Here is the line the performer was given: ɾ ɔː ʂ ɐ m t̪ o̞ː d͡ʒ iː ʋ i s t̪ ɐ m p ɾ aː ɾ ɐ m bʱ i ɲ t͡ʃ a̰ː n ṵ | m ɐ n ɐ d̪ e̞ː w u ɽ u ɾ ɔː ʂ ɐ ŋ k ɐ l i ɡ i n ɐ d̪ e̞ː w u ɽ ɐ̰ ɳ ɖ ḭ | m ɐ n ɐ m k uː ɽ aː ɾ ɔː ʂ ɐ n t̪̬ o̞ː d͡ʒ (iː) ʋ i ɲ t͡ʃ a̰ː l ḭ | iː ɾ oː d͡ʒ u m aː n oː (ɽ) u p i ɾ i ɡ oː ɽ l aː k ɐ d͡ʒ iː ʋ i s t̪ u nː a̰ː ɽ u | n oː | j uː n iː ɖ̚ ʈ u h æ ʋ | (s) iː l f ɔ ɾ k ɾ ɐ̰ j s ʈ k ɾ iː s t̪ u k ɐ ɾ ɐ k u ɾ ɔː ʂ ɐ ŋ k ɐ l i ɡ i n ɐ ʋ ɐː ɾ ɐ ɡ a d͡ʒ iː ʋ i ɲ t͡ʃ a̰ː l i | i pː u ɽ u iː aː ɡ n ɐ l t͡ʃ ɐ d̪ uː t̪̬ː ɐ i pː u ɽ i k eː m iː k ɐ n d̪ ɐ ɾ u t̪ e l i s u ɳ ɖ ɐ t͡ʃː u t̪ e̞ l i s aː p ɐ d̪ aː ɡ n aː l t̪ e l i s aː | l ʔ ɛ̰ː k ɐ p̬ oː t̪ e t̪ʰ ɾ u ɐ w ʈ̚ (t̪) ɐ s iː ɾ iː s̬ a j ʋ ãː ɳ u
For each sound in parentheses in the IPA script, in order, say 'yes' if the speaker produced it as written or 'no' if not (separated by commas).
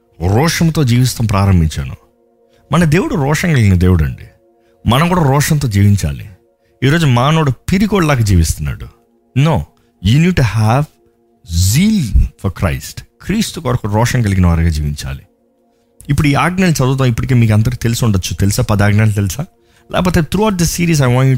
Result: yes, yes, no, no